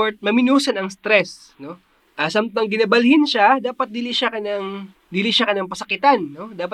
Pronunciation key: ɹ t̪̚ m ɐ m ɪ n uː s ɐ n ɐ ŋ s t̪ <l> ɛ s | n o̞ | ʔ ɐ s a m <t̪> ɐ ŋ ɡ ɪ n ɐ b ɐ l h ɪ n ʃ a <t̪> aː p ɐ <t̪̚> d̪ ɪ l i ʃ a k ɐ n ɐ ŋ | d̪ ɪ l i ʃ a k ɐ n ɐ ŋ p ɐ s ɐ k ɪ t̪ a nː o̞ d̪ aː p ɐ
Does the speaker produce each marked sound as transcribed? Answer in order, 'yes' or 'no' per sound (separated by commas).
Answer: no, yes, no, yes